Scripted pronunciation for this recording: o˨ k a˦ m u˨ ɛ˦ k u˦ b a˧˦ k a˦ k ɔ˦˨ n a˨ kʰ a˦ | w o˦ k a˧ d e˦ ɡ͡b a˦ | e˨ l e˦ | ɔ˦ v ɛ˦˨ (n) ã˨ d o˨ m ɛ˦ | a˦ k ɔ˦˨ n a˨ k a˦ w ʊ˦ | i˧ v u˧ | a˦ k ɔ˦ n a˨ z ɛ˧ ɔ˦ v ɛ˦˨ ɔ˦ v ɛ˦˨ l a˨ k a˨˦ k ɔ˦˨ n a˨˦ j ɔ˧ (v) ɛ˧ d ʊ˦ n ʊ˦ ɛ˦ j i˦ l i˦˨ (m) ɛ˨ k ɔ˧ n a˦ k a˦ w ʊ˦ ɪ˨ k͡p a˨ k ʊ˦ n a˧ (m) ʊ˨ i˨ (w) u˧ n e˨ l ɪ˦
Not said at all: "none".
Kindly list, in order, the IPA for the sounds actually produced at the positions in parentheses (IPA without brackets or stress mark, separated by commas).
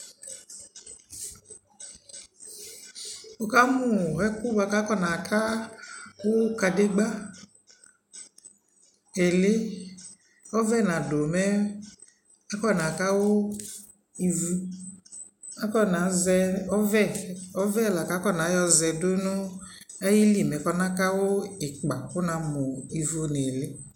n, z, m, m, v